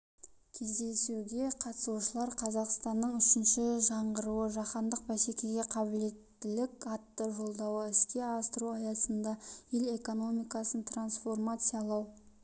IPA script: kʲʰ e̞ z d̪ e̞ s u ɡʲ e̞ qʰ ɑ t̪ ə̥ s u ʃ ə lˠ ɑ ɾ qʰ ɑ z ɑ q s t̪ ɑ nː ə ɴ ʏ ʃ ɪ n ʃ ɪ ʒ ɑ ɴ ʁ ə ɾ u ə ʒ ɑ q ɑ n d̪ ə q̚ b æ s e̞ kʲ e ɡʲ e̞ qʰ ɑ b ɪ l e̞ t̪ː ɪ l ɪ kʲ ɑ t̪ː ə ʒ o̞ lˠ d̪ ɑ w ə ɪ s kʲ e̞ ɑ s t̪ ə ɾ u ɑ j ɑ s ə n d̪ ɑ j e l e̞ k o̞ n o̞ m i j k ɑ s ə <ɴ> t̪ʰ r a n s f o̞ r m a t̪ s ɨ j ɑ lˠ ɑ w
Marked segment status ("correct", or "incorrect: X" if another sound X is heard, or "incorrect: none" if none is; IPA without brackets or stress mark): incorrect: n